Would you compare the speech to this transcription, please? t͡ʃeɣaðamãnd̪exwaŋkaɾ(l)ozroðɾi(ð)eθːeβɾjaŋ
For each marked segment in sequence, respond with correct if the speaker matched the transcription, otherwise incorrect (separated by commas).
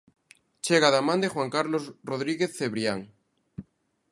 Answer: correct, incorrect